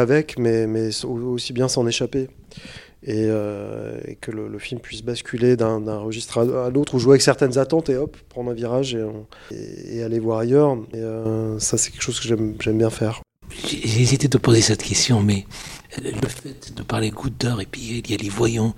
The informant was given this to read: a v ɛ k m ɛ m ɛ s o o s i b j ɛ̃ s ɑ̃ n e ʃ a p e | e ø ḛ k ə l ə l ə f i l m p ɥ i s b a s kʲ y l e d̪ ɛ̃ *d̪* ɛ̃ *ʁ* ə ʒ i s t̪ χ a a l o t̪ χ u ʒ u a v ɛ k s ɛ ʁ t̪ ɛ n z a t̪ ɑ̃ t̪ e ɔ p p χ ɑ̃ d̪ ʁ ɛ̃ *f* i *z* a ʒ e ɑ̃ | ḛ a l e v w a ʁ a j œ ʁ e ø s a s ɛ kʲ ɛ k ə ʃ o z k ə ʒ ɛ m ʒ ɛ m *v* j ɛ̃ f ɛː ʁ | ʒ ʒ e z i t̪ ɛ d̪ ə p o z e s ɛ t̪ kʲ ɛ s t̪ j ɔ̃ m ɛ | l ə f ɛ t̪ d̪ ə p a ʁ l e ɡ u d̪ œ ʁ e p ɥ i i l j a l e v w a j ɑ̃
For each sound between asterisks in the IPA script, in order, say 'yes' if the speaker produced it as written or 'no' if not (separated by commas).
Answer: yes, yes, no, no, no